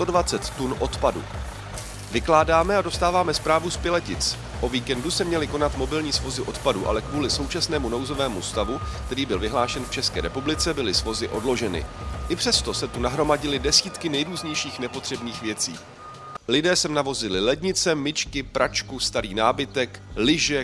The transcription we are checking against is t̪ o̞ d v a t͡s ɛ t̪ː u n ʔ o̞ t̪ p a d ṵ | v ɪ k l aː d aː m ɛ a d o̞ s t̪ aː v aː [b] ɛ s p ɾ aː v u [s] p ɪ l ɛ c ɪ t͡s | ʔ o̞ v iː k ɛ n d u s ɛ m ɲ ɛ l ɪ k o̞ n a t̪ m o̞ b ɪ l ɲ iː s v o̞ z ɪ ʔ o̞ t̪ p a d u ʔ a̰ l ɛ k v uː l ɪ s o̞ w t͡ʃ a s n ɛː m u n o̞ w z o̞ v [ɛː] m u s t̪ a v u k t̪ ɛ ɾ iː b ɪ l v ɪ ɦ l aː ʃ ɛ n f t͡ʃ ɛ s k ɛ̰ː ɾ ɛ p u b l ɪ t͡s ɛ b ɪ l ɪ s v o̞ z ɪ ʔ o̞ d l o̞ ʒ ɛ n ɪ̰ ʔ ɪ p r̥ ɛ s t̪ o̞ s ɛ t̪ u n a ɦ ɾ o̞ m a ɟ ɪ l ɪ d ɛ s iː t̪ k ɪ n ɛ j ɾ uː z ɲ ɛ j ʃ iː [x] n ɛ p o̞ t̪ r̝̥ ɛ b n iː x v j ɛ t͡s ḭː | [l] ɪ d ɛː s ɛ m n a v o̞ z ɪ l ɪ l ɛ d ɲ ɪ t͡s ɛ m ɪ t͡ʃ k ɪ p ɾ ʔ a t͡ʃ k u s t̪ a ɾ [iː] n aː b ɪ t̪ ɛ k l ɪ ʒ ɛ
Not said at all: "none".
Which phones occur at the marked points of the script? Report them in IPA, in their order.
m, s, ɛː, x, l, iː

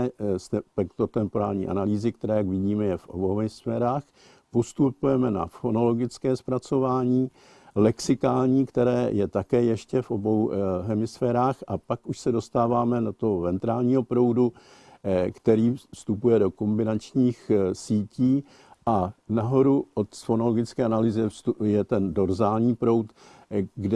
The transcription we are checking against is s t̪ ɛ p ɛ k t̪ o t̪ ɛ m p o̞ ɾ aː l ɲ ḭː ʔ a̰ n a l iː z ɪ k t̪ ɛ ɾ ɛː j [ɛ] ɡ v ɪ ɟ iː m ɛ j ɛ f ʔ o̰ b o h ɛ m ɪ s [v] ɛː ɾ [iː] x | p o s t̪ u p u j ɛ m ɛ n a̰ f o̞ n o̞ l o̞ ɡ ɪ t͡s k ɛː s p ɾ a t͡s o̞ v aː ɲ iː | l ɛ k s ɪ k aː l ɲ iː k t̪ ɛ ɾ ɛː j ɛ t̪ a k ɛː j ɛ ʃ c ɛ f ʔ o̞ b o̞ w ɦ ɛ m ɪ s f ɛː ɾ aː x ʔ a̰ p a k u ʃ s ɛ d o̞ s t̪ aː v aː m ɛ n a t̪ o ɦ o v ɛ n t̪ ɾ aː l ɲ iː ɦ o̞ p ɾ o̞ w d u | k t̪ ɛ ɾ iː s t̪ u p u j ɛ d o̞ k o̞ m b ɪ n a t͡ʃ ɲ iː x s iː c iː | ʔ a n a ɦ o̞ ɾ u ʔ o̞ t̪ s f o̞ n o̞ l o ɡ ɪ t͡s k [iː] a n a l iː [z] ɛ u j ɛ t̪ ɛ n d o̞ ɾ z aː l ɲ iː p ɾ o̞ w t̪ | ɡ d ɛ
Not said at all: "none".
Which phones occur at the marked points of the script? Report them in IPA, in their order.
a, f, aː, ɛː, z

